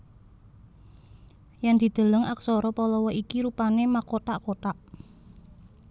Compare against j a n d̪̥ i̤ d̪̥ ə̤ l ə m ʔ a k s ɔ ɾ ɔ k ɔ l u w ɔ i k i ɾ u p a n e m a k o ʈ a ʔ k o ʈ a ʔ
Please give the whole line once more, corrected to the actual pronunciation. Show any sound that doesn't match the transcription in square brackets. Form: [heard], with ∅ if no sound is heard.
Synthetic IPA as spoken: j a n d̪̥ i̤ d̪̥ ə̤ l ə [ŋ] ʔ a k s ɔ ɾ ɔ [p] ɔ l [ɔ] w ɔ i k i ɾ u p a n e m a k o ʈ a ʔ k o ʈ a ʔ